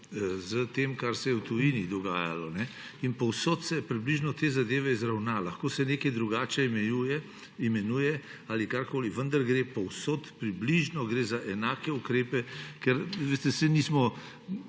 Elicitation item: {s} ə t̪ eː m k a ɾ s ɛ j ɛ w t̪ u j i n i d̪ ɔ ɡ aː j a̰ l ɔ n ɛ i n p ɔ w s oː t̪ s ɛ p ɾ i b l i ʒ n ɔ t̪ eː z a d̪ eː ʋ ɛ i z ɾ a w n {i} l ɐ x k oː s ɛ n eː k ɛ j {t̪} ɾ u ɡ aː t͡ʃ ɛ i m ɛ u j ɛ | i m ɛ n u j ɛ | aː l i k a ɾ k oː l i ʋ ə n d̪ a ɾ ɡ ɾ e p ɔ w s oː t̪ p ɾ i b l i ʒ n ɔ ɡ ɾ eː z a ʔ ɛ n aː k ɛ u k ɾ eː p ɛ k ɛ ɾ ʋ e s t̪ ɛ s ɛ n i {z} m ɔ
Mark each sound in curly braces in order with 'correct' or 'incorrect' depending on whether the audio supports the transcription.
incorrect: z, incorrect: a, incorrect: d̪, incorrect: s

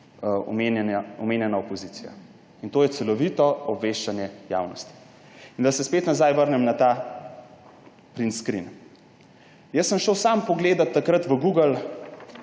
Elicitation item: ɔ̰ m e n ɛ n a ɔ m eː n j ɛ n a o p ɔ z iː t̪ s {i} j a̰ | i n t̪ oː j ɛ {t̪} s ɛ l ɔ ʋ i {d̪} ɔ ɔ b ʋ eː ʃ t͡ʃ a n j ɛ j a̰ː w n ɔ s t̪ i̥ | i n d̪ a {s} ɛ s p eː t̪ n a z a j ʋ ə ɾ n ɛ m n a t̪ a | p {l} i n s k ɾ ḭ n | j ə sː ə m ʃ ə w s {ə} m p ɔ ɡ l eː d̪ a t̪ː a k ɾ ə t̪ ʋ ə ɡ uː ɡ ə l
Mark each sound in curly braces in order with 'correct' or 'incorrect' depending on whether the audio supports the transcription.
correct, correct, incorrect: t̪, correct, incorrect: ɾ, incorrect: a

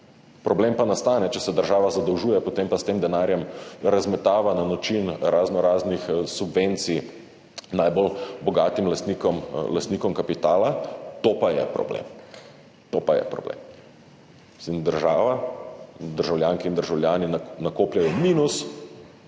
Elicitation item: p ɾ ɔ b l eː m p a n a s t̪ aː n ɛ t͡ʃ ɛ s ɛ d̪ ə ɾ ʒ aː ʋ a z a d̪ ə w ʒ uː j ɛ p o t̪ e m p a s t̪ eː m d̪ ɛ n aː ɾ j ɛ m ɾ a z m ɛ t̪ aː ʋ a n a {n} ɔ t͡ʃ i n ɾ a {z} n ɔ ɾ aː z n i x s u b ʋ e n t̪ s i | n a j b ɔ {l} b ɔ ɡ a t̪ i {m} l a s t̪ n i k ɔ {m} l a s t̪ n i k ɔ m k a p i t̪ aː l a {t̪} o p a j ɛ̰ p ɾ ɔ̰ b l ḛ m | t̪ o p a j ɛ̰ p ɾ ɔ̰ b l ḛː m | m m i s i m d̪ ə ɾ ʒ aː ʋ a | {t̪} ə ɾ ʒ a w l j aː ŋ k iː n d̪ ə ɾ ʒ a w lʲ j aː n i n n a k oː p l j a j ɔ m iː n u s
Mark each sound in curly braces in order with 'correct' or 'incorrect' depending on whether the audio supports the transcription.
correct, correct, correct, correct, correct, correct, incorrect: d̪

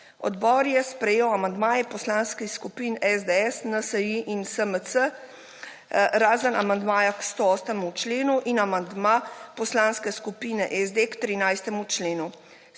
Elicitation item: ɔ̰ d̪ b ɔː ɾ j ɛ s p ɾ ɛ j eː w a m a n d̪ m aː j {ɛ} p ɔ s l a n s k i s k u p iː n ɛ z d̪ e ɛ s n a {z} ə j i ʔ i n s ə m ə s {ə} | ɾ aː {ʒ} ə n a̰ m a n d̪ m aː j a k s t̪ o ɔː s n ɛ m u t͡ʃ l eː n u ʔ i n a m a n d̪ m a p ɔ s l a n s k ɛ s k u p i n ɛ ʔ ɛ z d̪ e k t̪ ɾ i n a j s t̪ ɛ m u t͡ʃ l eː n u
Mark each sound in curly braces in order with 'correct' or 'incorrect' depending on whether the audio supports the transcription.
correct, incorrect: s, correct, incorrect: z

